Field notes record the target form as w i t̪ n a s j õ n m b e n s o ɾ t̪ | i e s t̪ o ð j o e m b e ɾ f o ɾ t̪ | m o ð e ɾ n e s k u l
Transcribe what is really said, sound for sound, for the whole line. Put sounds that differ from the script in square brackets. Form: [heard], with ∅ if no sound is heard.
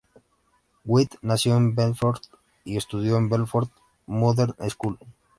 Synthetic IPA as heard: w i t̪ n a s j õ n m b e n [f] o ɾ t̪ | i e s t̪ [u] ð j o e m b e [l] f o ɾ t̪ | m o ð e ɾ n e s k u l